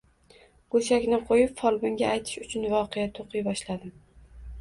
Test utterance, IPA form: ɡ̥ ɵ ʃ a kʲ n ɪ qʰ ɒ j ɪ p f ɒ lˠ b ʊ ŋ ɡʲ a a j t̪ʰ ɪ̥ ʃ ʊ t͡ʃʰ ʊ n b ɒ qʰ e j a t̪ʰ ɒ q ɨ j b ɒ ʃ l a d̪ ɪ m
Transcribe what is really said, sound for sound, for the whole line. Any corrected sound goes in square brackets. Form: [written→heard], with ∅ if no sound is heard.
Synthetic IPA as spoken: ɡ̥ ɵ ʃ a kʲ n ɪ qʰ [ɒ→o] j ɪ p f ɒ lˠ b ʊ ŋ ɡʲ a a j t̪ʰ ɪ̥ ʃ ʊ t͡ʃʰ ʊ n [b→v] ɒ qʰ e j a t̪ʰ [ɒ→o] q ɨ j b ɒ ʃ l a d̪ ɪ m